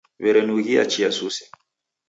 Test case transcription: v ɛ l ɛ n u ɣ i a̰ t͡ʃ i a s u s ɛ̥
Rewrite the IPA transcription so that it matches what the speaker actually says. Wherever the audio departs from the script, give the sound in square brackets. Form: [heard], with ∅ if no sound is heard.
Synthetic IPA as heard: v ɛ [ɾ] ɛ n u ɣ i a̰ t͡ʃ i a s u s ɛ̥